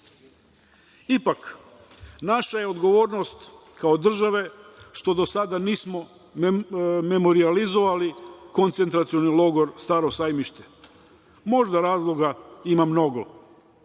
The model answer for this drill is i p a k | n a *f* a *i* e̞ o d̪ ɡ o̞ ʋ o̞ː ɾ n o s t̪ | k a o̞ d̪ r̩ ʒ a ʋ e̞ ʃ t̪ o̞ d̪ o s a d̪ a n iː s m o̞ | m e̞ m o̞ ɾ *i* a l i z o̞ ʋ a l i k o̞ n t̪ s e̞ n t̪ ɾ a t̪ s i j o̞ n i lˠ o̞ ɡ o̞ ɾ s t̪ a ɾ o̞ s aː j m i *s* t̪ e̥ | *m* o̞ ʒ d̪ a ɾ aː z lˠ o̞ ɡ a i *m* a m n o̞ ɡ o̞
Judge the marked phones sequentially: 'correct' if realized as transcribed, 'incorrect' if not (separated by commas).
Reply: incorrect, incorrect, correct, incorrect, correct, correct